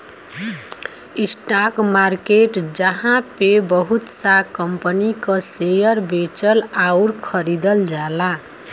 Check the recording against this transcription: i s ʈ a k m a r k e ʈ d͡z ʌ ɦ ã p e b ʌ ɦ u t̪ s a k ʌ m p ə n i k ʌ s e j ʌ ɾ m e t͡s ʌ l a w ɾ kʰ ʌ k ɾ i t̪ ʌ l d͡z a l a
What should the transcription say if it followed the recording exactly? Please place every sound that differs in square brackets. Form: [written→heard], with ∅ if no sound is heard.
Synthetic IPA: i s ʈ a k m a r k e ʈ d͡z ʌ ɦ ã p e b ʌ ɦ u t̪ s a k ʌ m p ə n i k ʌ s e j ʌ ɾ [m→b] e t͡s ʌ l a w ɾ kʰ ʌ [k→∅] ɾ i [t̪→d̪] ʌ l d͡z a l a